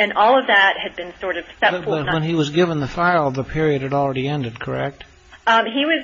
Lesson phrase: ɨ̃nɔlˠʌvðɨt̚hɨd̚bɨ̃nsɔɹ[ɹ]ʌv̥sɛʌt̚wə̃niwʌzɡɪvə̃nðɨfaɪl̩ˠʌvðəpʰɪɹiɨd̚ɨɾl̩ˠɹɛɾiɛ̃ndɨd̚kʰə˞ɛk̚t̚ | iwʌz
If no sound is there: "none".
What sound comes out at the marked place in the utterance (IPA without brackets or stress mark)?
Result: ɾ